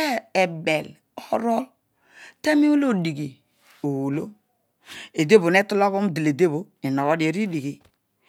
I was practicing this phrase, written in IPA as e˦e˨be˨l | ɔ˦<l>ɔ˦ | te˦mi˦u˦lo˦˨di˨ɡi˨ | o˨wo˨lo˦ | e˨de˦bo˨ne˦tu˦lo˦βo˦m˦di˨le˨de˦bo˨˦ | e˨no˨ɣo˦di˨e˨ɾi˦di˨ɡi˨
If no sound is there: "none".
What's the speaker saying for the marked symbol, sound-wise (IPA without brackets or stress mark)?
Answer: ɾ